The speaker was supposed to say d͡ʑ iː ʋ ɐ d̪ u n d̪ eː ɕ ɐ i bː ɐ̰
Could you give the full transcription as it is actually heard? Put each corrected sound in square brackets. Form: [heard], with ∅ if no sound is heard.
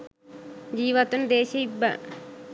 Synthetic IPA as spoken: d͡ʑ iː ʋ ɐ [t̪] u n d̪ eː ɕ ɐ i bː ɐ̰